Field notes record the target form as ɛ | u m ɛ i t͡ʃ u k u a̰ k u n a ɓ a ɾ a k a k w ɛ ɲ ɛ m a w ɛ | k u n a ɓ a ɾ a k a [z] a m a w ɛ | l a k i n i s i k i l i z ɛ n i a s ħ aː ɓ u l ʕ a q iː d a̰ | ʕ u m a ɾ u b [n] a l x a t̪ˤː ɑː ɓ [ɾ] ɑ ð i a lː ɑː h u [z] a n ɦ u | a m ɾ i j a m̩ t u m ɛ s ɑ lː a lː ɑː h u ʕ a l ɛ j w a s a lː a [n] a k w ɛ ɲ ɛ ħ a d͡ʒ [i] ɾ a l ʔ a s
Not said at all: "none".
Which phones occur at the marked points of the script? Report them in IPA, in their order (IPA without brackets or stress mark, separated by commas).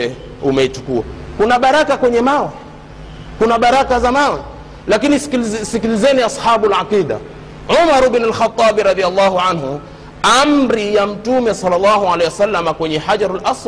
z, n, ɾ, ʕ, m, a